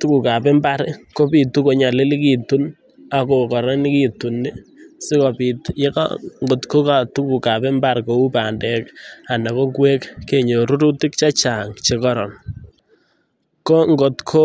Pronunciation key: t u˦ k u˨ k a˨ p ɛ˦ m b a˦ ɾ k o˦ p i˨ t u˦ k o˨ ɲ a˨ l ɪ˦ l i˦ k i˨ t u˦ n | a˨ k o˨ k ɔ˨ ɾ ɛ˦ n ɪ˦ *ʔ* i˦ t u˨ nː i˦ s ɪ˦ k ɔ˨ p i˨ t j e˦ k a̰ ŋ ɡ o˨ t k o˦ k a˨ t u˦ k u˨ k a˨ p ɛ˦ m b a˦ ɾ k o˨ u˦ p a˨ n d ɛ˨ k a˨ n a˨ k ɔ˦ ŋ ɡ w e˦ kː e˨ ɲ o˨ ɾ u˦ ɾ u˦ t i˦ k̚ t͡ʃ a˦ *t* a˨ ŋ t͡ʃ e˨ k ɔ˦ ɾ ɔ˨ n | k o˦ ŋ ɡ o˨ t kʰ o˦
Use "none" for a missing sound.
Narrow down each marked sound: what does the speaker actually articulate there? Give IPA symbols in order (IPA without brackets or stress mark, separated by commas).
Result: k, t͡ʃ